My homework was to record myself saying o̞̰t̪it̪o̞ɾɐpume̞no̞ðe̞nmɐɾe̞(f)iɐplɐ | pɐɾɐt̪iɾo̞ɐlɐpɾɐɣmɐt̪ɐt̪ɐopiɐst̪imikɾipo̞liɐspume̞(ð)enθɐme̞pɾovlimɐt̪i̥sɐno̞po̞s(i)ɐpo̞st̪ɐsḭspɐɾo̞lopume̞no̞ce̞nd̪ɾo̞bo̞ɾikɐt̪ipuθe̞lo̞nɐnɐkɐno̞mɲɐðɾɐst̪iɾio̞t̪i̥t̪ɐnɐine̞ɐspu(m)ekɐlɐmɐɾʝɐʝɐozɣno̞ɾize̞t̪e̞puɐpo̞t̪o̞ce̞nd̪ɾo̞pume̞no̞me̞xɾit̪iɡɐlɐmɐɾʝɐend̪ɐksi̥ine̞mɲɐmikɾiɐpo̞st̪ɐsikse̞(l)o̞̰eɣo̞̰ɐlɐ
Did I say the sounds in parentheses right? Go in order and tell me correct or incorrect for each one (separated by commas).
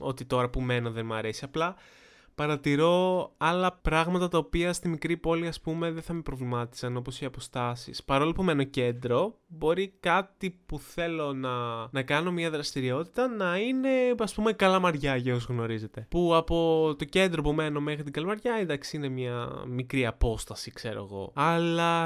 incorrect, correct, correct, correct, incorrect